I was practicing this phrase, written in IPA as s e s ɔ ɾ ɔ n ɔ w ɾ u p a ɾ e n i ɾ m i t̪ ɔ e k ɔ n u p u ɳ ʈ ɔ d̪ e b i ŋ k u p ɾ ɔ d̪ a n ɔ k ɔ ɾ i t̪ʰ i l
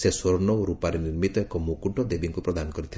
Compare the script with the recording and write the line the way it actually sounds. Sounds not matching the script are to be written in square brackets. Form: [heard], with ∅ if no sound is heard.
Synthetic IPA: s e s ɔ ɾ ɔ n ɔ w ɾ u p a ɾ e n i ɾ m i t̪ ɔ e k ɔ [m] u [k] u ɳ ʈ ɔ d̪ e b i ŋ k u p ɾ ɔ d̪ a n ɔ k ɔ ɾ i t̪ʰ i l